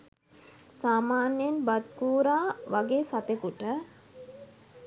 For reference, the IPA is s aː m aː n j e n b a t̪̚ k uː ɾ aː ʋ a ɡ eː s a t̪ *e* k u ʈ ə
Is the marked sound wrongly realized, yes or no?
no